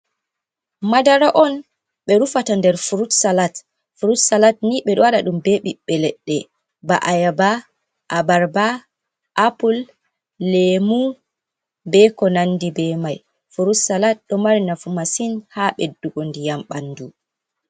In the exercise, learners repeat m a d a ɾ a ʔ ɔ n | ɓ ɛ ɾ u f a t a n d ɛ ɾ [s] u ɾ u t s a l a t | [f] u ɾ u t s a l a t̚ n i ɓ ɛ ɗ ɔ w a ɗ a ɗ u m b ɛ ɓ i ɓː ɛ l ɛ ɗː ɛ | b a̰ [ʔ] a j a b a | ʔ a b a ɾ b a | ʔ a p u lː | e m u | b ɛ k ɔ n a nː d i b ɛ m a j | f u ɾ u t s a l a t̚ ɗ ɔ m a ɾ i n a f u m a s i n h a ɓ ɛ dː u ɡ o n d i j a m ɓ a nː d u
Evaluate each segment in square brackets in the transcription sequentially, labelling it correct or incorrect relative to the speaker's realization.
incorrect, correct, correct

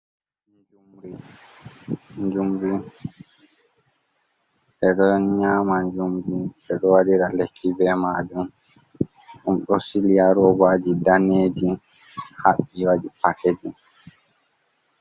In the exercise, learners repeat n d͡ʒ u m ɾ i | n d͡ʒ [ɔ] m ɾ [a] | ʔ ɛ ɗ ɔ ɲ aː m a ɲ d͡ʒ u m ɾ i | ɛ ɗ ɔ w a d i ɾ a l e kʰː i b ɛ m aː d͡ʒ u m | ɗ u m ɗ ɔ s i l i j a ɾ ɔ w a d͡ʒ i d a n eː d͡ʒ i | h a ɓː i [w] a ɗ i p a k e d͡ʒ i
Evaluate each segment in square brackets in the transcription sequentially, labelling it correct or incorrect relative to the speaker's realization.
incorrect, incorrect, correct

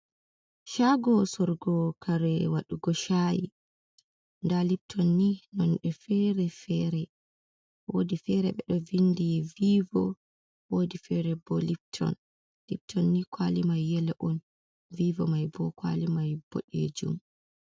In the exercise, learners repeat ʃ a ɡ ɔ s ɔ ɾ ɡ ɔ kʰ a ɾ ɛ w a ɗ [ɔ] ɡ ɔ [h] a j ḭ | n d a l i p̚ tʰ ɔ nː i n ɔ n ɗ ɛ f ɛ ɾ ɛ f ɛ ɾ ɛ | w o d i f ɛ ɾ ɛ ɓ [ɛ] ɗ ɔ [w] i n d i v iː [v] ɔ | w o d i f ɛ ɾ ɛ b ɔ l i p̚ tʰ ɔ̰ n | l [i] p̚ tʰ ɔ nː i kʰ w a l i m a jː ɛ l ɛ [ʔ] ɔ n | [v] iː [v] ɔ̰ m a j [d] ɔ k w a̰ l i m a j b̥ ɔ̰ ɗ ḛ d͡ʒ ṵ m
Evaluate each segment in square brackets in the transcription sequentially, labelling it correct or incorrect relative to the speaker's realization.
incorrect, incorrect, correct, incorrect, correct, correct, correct, correct, correct, incorrect

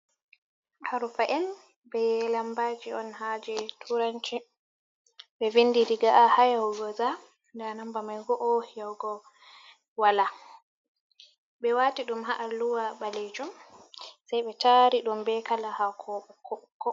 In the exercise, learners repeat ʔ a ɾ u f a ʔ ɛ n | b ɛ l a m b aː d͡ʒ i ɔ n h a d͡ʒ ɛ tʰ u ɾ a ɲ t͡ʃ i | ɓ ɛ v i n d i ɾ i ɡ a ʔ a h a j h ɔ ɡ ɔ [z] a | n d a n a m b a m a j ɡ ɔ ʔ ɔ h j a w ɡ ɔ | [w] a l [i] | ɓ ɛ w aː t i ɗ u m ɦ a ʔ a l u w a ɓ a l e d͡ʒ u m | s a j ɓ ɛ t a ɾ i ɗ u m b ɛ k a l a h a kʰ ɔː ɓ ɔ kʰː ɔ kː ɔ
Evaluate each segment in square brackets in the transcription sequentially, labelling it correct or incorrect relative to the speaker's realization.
correct, correct, incorrect

